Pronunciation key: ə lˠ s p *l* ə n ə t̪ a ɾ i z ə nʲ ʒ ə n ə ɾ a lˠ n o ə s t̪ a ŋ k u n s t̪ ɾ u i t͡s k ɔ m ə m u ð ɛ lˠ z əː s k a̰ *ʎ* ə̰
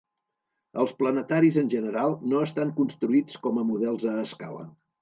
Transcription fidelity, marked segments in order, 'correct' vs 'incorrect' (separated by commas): correct, incorrect